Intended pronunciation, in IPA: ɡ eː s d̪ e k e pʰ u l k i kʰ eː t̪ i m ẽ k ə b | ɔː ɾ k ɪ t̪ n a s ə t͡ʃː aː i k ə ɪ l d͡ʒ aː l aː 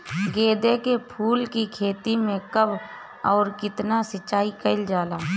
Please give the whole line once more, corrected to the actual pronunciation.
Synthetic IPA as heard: ɡ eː d̪ e k e pʰ uː l k i kʰ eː t̪ i m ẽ k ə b | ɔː ɾ k ɪ t̪ n a s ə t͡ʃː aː i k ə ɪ l d͡ʒ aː l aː